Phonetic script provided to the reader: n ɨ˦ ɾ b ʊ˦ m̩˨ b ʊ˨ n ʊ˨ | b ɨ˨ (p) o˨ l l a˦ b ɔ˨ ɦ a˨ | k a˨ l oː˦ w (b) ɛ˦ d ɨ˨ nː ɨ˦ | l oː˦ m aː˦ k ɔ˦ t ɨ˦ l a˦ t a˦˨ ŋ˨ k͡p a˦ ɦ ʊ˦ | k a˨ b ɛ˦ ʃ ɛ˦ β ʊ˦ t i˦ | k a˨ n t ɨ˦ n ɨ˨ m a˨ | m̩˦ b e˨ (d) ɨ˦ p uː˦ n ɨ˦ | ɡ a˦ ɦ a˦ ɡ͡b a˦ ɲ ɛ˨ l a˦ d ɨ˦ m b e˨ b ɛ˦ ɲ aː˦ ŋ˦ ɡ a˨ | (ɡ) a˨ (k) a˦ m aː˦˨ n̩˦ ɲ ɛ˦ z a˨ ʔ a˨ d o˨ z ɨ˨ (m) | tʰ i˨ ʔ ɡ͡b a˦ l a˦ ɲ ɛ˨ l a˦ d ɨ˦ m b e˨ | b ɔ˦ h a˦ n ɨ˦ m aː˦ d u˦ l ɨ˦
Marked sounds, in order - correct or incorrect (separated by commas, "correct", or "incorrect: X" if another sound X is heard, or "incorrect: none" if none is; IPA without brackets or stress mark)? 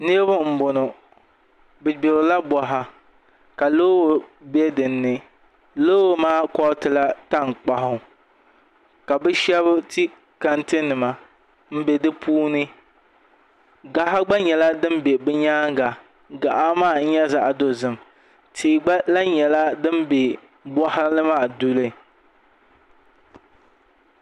incorrect: b, correct, correct, correct, incorrect: ʔ, correct